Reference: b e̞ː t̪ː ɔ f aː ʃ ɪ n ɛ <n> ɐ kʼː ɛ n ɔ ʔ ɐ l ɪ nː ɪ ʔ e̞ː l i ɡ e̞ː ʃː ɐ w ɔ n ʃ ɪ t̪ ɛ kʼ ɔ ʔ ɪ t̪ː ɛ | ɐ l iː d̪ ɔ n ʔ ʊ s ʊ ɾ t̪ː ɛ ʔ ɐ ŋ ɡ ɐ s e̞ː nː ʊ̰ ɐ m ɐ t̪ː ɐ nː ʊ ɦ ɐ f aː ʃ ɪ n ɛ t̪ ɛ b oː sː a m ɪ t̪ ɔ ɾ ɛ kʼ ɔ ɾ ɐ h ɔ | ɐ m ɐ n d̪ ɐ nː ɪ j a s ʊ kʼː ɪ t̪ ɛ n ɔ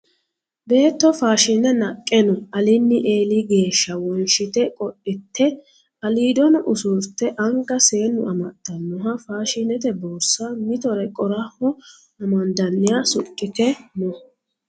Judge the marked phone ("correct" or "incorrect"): correct